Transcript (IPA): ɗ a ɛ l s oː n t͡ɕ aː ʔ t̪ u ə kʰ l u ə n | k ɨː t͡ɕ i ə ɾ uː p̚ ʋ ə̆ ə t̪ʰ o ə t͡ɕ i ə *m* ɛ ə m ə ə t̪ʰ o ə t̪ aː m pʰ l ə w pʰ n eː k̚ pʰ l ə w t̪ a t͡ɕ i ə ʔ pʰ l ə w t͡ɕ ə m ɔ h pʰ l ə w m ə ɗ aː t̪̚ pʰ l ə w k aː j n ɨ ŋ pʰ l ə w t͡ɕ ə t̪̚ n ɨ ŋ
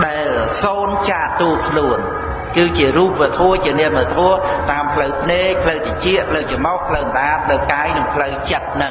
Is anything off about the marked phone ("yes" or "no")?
yes